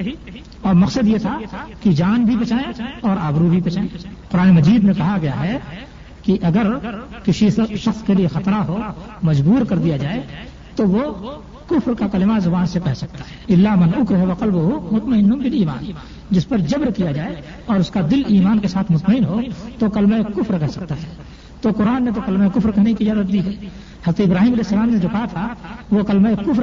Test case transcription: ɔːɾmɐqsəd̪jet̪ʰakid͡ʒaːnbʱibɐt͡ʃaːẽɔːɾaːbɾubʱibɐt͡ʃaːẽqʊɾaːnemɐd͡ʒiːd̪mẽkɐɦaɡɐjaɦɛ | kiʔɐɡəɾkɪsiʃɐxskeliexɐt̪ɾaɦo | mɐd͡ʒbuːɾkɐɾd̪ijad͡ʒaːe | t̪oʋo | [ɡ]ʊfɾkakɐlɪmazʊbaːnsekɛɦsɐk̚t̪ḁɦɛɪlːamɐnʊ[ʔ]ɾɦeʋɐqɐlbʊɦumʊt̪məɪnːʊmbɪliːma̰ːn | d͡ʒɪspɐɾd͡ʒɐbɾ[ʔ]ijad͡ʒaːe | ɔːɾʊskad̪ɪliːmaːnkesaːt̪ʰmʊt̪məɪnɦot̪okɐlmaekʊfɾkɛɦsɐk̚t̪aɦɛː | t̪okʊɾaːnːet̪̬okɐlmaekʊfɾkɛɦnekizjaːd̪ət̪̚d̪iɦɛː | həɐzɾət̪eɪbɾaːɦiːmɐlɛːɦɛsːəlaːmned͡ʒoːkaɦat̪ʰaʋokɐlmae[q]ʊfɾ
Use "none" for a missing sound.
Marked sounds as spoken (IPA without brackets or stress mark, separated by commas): k, k, k, k